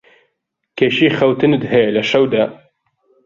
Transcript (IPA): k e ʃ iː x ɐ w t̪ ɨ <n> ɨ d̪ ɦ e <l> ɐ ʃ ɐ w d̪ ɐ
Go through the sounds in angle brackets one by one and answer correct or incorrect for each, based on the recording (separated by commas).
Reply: correct, correct